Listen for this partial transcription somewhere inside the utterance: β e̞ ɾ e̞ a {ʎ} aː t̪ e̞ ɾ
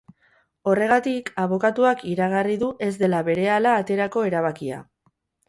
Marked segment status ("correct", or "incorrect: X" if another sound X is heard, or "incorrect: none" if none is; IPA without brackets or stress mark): incorrect: l